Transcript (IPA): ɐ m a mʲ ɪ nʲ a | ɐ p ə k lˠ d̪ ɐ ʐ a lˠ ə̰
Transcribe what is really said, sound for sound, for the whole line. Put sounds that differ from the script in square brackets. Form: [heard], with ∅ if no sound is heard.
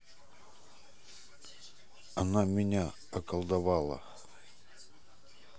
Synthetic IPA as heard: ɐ [n] a mʲ ɪ nʲ a | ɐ [k] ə [∅] lˠ d̪ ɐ [v] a lˠ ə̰